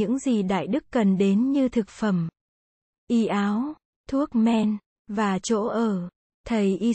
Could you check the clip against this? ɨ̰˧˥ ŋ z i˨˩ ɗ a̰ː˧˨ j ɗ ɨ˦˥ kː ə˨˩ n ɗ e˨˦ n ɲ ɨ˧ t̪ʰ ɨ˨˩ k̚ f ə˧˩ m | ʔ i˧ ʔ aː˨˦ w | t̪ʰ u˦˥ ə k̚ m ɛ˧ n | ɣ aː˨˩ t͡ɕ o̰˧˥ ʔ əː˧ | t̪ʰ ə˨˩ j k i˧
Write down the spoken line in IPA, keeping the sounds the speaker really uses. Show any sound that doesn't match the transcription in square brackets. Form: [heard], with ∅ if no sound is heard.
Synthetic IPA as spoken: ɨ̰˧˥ ŋ z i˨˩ ɗ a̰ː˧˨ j ɗ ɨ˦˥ kː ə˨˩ n ɗ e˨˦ n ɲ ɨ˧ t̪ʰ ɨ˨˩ k̚ f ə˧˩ m | ʔ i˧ ʔ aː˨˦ w | t̪ʰ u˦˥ ə k̚ m ɛ˧ n | [v] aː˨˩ t͡ɕ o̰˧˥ ʔ [əː˨˩] | t̪ʰ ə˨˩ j [ʔ] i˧